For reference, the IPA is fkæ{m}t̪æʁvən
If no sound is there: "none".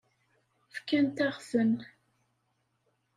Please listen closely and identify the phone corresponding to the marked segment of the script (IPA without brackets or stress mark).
n